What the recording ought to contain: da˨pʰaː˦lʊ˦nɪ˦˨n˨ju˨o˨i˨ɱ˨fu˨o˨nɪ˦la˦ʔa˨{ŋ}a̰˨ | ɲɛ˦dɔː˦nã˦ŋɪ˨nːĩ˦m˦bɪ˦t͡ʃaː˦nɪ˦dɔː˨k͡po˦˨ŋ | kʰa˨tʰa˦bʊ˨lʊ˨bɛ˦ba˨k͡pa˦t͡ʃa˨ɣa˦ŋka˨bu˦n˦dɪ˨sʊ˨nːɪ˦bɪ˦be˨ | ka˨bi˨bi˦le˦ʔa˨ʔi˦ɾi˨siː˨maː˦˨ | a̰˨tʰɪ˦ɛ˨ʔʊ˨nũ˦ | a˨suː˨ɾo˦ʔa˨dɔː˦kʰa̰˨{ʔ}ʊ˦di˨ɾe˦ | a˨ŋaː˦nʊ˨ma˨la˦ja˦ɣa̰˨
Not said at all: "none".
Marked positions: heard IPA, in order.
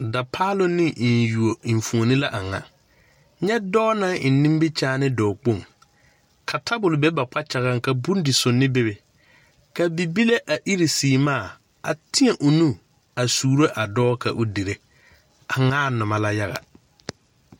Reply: ŋ, ʔ

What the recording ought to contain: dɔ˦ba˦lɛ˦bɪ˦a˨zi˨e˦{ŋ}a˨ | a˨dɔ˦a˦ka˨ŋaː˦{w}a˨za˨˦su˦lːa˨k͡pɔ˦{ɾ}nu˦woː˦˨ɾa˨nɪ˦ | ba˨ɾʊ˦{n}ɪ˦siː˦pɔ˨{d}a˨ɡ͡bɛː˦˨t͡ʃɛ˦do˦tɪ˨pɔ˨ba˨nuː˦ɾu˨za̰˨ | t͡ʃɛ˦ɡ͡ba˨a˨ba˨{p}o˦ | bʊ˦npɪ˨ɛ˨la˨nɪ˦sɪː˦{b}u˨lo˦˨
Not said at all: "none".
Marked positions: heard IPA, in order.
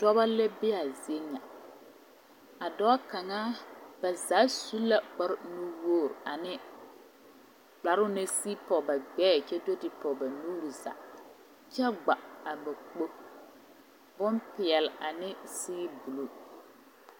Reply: ɲ, b, ɾ, n, b, k͡p, b

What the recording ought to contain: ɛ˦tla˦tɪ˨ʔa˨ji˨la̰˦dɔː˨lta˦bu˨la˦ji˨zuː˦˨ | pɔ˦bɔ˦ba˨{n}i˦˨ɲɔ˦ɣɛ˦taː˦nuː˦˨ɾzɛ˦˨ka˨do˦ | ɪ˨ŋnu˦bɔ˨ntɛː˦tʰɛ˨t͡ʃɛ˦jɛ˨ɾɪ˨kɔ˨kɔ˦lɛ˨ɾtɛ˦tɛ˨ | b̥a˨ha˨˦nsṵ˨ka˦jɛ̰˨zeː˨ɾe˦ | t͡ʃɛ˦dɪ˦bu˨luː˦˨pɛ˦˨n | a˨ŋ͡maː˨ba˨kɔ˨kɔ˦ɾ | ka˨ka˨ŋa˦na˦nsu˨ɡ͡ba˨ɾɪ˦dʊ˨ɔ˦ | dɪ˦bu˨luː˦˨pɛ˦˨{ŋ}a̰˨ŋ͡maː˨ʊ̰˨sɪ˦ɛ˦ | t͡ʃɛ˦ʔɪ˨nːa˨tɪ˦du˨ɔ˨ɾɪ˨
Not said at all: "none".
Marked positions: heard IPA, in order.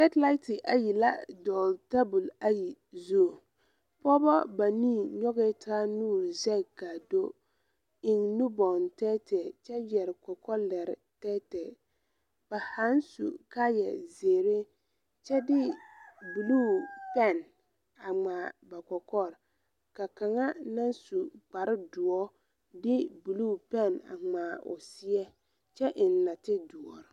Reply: n, n

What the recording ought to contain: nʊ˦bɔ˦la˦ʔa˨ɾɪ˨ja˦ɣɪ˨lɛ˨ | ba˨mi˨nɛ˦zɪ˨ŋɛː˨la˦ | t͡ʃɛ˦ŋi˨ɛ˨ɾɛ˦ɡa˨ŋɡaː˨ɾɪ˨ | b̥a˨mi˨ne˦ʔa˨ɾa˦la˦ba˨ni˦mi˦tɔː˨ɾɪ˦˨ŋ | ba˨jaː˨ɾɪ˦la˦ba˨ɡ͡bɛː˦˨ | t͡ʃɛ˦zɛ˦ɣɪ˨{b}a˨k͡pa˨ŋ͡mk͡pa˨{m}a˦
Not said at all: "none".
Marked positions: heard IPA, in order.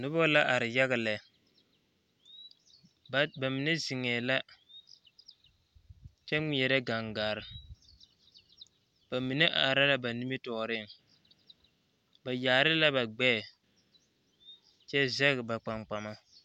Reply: b, m

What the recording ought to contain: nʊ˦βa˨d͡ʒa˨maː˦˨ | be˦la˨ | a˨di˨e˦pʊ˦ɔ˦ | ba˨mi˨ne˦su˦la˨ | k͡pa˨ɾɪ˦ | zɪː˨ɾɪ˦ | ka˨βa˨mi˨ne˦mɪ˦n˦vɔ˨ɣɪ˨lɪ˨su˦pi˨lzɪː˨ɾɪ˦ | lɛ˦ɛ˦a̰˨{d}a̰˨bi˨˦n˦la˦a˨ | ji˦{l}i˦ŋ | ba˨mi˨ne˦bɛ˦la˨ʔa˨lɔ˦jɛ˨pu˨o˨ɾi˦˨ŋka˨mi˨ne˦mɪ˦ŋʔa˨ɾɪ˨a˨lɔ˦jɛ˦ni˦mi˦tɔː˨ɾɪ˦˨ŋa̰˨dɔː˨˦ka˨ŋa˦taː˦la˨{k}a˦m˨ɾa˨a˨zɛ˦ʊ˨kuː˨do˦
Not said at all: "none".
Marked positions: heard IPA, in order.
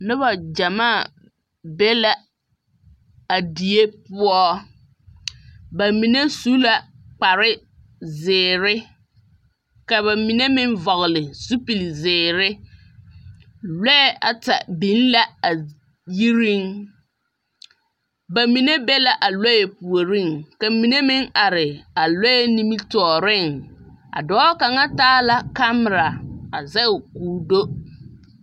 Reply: t, ɾ, k

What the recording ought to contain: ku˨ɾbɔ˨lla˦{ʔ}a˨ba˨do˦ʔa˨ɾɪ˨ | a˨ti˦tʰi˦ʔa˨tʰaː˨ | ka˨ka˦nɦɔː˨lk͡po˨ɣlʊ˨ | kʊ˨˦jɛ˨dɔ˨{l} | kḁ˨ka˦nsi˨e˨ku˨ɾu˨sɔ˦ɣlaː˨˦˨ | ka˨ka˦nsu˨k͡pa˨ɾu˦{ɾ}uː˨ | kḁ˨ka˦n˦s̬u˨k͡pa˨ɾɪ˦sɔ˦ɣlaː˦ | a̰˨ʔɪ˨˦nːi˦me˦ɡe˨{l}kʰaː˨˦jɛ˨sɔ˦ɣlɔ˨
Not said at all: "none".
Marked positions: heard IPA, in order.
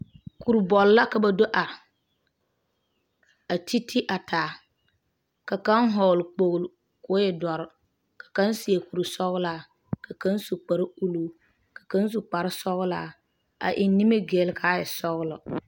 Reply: k, ɾ, l, l

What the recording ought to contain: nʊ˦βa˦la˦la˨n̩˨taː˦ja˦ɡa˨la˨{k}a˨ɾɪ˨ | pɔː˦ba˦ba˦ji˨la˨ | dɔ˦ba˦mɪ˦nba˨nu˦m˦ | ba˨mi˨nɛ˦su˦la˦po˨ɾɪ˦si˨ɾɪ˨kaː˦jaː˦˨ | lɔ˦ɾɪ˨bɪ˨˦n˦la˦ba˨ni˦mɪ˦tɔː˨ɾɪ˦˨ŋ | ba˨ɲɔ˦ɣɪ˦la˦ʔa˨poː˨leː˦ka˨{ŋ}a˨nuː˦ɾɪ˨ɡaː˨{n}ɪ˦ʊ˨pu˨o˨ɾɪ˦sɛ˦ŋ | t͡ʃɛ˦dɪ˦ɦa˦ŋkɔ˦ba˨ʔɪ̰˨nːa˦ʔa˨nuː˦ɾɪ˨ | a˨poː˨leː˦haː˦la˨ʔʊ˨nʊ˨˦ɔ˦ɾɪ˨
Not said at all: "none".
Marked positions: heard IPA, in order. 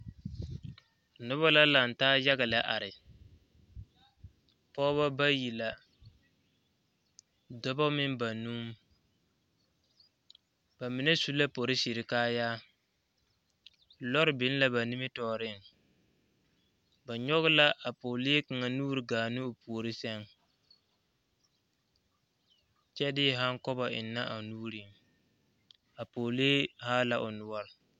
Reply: ʔ, ŋ, n

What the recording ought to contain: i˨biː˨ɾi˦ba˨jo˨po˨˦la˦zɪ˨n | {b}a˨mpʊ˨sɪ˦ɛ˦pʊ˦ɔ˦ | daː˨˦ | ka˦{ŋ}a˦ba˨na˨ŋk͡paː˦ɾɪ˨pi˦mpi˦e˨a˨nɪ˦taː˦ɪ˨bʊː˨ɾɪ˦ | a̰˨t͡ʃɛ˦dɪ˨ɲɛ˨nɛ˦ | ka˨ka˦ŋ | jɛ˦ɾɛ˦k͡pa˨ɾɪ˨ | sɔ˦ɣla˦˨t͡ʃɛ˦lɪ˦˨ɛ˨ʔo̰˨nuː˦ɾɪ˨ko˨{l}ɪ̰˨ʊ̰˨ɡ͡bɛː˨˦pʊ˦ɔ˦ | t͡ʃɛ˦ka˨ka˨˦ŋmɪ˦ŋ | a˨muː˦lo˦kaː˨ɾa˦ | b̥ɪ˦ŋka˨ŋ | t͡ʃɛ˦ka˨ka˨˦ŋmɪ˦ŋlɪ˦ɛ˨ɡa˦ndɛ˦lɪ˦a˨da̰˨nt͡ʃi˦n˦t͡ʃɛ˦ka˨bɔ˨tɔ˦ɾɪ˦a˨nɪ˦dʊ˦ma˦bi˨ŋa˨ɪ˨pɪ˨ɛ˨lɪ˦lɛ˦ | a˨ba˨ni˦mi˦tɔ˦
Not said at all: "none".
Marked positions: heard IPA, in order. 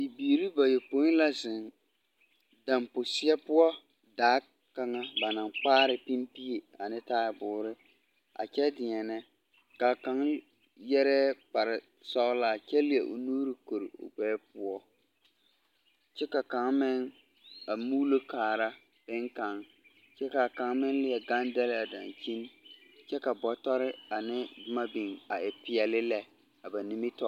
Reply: d, ŋ, ɾ

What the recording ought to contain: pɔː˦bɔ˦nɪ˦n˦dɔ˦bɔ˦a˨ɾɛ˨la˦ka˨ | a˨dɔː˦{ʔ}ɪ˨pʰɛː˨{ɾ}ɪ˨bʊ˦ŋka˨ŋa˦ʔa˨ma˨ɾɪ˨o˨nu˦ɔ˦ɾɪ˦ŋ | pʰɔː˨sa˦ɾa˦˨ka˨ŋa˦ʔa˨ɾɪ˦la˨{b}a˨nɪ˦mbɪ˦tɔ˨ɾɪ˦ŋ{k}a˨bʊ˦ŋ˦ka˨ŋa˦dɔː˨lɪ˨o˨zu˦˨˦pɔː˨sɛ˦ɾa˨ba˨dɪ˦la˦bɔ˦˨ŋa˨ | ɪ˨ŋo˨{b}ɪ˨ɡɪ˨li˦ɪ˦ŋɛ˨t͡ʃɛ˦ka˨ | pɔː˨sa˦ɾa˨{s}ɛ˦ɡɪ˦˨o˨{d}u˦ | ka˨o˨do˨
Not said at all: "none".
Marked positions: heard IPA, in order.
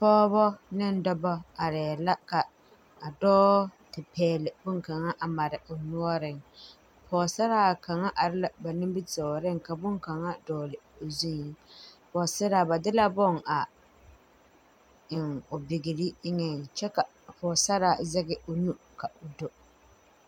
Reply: t, l, b, k, b, z, n

